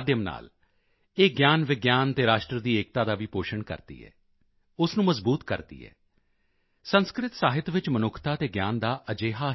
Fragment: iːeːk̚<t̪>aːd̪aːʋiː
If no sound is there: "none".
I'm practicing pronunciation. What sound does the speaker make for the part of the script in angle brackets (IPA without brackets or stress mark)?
t̪